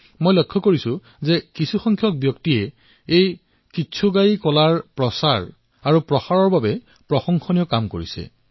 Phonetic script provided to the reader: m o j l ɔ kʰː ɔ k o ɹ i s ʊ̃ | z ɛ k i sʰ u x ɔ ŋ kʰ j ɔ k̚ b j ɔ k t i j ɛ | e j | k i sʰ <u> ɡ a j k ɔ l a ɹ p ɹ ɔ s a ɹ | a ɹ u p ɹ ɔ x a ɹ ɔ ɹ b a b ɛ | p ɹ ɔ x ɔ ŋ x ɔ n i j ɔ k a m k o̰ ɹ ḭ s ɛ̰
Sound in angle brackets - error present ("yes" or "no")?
no